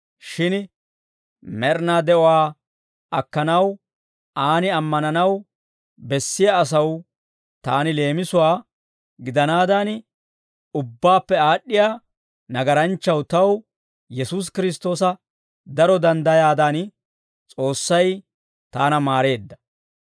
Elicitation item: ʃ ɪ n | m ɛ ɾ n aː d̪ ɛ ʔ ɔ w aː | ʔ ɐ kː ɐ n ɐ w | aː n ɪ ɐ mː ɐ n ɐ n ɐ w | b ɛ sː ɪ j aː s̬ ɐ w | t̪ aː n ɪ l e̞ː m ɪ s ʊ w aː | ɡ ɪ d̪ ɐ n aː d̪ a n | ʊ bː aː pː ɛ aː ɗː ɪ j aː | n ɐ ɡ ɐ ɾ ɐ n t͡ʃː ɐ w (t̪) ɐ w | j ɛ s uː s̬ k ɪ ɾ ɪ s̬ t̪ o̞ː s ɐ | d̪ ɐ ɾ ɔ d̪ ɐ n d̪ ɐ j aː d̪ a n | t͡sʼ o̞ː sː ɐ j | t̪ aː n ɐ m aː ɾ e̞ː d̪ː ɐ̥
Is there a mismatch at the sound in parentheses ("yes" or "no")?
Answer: no